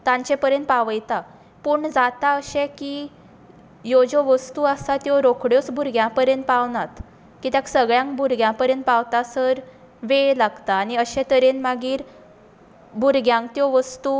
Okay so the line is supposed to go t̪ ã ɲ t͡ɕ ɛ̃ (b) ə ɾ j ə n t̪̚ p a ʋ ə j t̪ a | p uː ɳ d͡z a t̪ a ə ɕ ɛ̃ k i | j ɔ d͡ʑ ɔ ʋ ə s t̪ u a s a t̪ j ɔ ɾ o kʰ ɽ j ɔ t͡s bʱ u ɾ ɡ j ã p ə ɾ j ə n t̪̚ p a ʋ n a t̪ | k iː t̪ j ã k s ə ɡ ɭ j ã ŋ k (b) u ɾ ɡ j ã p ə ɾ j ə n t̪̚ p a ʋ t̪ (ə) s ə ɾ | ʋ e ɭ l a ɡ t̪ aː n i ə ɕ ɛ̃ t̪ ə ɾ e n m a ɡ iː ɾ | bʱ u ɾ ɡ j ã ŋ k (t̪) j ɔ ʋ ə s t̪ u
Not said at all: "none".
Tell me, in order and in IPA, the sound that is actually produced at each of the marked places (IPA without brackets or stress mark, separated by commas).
p, b, a, t̪